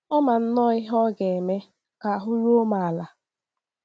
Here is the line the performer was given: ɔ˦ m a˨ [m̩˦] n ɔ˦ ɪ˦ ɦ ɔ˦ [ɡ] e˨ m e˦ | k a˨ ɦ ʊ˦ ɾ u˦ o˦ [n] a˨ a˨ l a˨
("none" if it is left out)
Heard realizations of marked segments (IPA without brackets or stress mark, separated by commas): n̩˦, ɡ, m